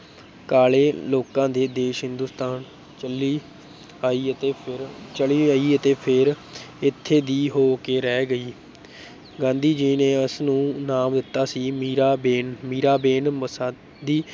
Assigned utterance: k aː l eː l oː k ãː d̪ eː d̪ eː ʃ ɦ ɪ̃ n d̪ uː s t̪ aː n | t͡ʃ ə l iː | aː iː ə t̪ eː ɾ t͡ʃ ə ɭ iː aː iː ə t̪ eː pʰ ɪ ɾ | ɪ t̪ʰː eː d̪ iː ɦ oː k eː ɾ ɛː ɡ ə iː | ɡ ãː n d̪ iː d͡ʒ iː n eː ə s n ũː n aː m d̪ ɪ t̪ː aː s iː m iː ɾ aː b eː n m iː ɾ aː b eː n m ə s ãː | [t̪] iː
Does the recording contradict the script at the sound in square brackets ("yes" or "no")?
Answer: yes